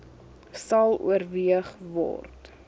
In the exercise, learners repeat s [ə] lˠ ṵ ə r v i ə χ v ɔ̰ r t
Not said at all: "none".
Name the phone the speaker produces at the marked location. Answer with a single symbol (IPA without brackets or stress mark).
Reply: ɐ